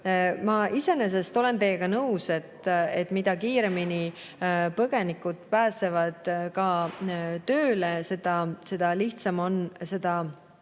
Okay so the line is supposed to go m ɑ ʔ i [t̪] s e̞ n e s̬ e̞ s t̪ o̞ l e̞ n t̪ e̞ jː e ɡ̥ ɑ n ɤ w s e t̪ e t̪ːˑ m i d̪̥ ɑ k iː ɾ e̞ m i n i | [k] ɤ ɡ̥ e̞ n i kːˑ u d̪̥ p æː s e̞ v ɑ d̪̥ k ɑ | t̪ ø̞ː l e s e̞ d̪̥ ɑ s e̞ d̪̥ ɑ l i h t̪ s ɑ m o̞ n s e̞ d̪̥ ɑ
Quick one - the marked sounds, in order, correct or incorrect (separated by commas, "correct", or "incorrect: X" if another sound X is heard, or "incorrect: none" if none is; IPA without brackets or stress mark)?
incorrect: none, incorrect: p